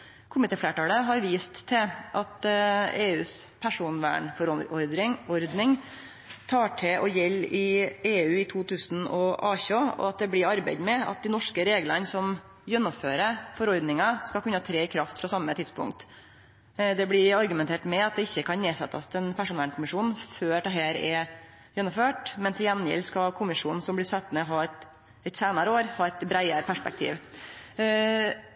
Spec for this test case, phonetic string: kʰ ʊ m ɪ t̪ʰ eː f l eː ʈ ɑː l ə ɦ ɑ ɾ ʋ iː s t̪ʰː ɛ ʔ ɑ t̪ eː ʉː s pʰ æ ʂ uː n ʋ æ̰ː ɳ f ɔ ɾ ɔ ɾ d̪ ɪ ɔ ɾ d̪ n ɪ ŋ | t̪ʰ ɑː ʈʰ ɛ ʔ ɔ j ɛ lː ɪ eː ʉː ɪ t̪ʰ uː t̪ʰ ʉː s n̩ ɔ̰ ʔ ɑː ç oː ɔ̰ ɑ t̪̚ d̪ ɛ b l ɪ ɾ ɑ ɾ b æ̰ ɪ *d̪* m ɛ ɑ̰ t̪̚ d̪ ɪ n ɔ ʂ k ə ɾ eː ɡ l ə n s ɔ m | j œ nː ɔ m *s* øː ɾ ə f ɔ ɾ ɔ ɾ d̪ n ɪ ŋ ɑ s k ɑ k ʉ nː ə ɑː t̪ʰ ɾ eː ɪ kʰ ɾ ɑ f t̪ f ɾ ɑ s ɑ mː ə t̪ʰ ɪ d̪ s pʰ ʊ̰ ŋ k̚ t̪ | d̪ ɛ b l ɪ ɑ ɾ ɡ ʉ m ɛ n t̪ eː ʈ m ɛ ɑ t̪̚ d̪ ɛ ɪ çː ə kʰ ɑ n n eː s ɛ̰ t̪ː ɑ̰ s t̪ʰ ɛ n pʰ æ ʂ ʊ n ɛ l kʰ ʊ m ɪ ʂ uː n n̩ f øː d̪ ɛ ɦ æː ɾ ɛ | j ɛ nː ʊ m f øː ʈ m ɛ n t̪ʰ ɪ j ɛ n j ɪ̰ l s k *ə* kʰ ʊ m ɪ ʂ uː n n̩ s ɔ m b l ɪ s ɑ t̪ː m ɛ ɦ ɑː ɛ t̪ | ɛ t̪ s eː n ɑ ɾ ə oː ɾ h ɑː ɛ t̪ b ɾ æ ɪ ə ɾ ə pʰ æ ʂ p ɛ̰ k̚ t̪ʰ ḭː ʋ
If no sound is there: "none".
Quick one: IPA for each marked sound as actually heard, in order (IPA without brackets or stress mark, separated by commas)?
d̪, f, ɑ